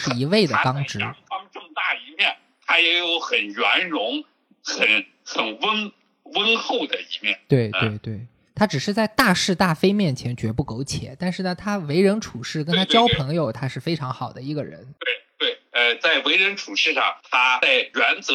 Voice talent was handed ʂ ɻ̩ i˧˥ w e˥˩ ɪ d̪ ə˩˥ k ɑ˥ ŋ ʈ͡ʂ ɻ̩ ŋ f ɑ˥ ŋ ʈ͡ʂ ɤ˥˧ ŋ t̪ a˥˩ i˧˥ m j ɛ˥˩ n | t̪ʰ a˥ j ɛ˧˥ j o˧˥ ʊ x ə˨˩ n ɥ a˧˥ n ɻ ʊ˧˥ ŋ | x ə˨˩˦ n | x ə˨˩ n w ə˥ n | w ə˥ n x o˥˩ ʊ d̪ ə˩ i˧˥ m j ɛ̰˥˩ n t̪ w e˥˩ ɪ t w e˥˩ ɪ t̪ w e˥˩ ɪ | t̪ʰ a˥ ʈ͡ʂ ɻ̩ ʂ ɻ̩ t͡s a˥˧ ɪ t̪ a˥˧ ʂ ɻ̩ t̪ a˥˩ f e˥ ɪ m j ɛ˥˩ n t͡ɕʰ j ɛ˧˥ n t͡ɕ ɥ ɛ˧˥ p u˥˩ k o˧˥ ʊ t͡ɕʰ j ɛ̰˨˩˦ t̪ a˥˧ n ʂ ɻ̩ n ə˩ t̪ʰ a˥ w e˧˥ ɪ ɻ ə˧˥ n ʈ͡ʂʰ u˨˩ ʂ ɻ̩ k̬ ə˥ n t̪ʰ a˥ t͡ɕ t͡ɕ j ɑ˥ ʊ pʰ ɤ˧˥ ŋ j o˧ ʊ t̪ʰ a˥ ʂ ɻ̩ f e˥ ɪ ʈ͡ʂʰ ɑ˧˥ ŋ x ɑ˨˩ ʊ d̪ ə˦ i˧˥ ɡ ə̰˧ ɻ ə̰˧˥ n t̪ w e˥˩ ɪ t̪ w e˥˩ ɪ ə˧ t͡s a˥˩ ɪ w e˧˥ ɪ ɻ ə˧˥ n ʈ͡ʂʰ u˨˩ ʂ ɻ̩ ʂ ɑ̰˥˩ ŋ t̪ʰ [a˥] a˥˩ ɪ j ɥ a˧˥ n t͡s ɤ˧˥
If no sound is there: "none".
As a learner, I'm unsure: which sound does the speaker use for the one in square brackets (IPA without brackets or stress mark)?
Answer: a˥